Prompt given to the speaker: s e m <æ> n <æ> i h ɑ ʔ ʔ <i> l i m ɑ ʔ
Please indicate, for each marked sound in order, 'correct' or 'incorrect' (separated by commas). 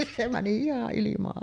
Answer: correct, incorrect, correct